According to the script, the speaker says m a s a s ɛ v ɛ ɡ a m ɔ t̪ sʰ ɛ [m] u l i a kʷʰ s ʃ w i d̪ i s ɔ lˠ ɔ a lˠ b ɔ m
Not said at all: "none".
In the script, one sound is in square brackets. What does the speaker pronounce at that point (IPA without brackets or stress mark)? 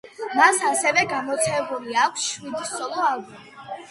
b